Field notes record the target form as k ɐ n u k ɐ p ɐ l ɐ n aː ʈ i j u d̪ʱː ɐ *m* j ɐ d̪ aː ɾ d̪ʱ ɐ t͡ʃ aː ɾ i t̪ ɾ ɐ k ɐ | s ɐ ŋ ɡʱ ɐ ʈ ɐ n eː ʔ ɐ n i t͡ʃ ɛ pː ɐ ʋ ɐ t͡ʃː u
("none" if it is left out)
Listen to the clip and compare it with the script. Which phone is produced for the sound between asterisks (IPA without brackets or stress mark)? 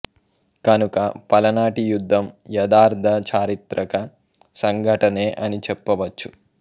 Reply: m